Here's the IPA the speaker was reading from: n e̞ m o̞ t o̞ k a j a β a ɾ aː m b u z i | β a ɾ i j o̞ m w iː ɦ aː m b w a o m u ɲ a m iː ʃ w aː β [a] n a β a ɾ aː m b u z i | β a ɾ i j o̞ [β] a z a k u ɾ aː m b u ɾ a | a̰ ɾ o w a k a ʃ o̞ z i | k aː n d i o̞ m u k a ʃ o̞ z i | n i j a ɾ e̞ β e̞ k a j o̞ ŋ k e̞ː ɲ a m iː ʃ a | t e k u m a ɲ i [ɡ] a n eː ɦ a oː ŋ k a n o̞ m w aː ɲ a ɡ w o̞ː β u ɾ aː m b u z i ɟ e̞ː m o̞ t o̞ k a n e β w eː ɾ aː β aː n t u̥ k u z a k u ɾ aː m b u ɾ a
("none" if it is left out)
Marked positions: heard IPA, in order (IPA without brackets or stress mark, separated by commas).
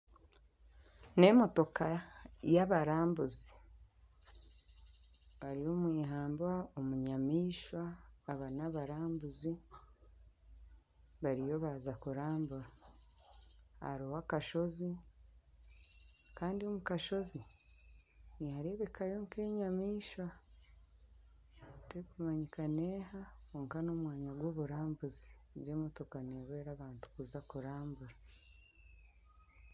a, β, k